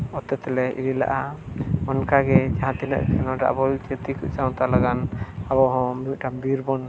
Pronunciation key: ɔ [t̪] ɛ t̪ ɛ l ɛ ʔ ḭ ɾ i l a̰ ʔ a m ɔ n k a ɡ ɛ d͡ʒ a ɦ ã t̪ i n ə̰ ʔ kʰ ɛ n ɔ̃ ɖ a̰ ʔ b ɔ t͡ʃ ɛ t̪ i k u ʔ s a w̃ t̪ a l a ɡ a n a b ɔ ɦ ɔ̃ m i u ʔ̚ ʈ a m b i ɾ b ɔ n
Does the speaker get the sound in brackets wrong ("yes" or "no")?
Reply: no